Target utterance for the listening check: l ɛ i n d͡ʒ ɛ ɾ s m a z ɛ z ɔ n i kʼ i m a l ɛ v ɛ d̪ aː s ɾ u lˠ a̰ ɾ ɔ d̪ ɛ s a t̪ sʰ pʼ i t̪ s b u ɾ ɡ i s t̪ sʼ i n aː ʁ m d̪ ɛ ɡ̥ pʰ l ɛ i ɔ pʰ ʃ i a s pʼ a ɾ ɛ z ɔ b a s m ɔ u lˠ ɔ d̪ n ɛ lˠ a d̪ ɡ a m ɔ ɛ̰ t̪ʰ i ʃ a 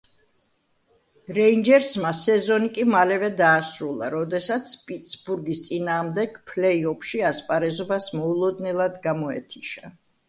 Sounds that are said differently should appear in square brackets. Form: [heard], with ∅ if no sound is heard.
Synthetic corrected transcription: [ɾ] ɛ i n d͡ʒ ɛ ɾ s m a [s] ɛ z ɔ n i kʼ i m a l ɛ v ɛ d̪ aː s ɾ u lˠ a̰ ɾ ɔ d̪ ɛ s a t̪ sʰ pʼ i t̪ s b u ɾ ɡ i s t̪ sʼ i n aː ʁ m d̪ ɛ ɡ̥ pʰ l ɛ i ɔ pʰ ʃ i a s pʼ a ɾ ɛ z ɔ b a s m ɔ u lˠ ɔ d̪ n ɛ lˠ a d̪ ɡ a m ɔ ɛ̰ t̪ʰ i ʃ a